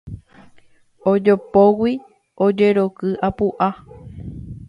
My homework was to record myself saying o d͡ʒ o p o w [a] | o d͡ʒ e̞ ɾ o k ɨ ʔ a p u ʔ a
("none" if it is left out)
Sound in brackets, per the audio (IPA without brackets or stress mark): i